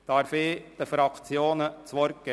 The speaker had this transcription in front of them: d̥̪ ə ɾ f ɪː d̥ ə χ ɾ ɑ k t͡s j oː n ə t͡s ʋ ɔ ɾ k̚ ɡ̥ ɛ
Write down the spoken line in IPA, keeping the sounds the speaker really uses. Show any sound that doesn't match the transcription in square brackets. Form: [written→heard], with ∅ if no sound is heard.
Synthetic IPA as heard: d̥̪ [ə→ɑ] ɾ f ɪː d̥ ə [χ→f] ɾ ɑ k t͡s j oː n ə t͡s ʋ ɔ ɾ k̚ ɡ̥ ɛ